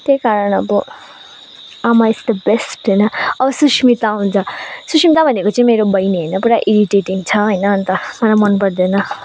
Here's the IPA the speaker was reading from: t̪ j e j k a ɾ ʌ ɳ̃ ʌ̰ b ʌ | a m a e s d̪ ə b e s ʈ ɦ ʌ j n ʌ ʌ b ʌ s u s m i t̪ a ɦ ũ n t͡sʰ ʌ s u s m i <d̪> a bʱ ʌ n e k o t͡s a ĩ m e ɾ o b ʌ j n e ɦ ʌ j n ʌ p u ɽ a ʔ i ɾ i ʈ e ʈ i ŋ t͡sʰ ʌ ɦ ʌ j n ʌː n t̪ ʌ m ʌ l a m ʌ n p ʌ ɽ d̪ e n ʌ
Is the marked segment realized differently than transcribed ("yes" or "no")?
yes